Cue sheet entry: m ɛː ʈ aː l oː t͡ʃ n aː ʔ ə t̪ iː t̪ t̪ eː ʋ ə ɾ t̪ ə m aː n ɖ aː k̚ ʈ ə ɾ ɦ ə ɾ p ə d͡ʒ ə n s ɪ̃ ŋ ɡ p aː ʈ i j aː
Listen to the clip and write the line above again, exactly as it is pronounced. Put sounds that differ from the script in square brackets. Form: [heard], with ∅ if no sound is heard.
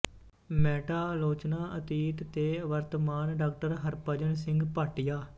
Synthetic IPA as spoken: m ɛː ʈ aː l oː t͡ʃ n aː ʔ ə t̪ iː t̪ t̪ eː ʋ ə ɾ t̪ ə m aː n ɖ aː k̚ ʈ ə ɾ ɦ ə ɾ p ə d͡ʒ ə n s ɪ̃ ŋ ɡ p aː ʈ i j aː